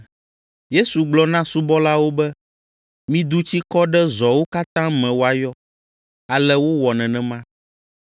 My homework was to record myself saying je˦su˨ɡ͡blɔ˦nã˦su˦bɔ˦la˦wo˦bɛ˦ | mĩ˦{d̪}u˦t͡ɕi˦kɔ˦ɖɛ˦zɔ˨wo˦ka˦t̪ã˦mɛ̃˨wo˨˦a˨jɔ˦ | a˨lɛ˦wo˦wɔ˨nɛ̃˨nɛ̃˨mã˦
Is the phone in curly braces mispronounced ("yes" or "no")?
no